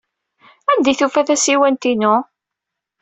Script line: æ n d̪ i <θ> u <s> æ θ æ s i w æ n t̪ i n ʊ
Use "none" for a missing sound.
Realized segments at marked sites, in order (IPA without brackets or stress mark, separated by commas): θ, f